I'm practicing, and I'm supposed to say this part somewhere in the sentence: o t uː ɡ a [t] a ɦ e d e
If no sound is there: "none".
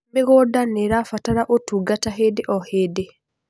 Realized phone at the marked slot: t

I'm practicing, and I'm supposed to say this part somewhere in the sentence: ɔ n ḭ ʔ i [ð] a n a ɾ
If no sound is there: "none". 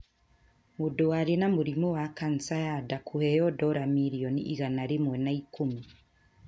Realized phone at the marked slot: ɣ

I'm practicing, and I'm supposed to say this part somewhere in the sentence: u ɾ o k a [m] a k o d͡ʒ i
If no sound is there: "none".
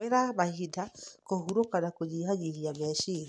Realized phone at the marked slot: n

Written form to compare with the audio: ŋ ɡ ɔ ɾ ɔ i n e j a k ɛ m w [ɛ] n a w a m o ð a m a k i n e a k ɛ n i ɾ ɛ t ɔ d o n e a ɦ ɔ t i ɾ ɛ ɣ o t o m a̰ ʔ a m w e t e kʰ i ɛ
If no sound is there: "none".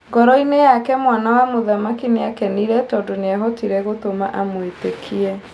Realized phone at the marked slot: a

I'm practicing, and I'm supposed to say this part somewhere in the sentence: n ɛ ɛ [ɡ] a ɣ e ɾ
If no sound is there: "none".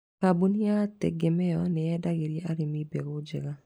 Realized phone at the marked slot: d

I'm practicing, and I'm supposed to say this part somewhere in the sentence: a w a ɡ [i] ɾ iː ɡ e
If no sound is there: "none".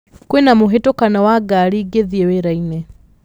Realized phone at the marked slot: a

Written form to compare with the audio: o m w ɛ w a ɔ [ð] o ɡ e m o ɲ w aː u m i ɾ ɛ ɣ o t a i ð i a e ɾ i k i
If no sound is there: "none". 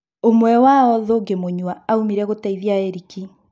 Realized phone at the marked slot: ð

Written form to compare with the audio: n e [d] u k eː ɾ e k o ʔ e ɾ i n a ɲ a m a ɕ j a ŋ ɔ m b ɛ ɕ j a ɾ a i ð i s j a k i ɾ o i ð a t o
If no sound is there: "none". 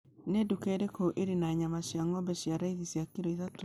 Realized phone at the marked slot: d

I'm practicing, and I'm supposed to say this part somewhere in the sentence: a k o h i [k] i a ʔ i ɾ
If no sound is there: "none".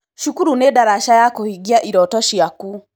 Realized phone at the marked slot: ɡ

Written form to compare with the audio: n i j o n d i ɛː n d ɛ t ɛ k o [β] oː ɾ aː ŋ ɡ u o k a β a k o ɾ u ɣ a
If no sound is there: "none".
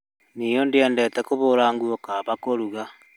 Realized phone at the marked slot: β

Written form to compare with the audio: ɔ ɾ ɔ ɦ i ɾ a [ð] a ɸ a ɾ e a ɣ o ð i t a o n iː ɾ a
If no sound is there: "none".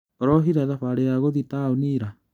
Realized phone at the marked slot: ð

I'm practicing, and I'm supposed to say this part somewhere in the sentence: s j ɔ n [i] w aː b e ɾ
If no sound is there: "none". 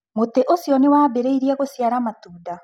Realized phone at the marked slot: e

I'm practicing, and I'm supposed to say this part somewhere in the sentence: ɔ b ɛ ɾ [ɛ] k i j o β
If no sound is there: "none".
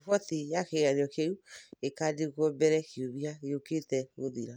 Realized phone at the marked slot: ɛ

